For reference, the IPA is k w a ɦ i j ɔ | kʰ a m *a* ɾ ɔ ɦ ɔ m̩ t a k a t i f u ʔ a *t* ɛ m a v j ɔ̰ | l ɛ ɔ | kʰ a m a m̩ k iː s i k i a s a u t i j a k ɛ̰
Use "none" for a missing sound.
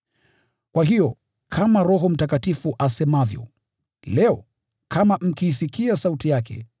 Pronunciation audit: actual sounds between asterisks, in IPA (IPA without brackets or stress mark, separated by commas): a, s